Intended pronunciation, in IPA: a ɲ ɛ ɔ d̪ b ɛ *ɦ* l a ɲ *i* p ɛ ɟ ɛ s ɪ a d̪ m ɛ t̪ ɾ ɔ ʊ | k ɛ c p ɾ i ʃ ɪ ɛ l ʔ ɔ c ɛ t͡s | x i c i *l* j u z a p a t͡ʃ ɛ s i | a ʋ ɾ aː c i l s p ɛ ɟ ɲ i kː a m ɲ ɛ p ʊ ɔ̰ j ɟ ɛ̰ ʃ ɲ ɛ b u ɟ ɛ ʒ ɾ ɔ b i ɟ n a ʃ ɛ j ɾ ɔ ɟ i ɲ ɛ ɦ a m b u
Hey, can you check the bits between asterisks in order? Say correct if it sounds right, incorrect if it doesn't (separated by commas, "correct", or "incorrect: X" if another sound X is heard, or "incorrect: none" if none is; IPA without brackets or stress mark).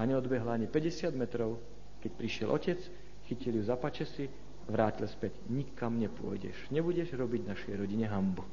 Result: correct, correct, correct